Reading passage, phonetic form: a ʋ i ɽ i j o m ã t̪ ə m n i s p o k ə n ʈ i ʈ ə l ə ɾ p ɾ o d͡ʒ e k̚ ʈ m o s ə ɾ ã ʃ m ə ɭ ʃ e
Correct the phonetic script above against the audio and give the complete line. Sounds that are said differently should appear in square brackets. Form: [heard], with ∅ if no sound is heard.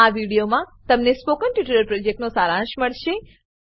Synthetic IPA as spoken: a ʋ i ɽ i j o m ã t̪ ə m n [e] s p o k ə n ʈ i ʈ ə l ə ɾ p ɾ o d͡ʒ e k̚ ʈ [n] o s [a] ɾ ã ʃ m ə ɭ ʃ e